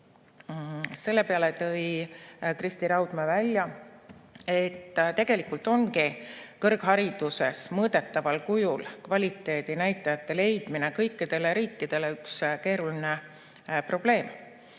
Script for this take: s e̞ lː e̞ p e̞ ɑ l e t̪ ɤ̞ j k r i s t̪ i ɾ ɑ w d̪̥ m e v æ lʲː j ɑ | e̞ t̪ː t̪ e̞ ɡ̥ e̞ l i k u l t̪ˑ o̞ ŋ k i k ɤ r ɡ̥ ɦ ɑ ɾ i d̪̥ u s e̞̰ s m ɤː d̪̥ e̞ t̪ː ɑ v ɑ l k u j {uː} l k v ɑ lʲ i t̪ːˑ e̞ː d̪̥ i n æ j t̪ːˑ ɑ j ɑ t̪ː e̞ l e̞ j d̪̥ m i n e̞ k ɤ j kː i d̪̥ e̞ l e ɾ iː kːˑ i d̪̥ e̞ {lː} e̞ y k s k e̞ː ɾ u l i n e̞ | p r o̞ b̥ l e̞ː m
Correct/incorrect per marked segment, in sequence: incorrect: u, incorrect: l

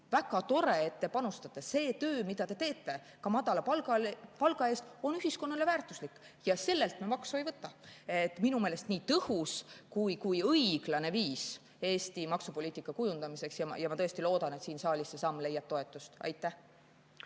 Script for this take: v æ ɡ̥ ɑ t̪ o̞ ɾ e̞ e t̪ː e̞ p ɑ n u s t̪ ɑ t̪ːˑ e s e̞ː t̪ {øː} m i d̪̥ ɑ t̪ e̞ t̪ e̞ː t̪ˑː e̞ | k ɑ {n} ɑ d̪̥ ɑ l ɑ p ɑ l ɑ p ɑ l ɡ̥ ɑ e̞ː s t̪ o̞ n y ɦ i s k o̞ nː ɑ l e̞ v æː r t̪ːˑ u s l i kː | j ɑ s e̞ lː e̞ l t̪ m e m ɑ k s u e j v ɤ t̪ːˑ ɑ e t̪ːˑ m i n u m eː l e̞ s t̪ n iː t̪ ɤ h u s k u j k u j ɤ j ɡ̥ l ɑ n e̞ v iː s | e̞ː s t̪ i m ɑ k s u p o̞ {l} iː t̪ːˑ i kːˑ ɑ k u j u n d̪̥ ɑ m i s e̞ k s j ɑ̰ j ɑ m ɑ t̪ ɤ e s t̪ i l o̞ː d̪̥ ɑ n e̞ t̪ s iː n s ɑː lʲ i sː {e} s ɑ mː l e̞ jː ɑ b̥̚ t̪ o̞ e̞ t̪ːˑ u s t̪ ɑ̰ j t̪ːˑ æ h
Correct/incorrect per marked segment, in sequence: correct, incorrect: m, correct, correct

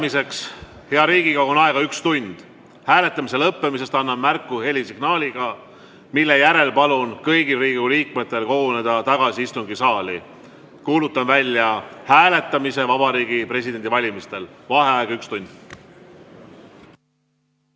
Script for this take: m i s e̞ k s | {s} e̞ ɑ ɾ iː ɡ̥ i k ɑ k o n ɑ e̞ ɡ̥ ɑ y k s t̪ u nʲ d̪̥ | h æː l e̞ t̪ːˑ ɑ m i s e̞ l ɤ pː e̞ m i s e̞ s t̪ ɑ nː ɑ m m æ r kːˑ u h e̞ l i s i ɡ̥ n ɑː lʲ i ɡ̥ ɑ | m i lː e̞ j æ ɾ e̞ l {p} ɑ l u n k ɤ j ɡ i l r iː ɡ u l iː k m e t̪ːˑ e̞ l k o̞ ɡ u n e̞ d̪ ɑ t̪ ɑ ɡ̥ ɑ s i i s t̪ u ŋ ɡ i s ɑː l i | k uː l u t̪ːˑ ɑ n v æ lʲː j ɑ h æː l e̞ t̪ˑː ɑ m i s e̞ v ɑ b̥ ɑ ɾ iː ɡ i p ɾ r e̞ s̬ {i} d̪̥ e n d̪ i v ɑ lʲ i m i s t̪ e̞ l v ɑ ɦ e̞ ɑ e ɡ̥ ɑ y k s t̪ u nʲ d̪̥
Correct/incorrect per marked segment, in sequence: incorrect: h, correct, correct

